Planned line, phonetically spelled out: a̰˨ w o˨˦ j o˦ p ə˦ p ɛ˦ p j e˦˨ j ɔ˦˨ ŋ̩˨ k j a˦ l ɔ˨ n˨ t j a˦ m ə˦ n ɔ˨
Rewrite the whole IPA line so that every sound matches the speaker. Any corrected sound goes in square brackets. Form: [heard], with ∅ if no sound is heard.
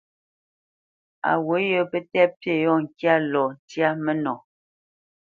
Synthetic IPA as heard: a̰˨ w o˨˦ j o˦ p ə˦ [t] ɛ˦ p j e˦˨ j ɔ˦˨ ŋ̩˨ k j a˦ l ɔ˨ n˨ t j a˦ m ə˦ n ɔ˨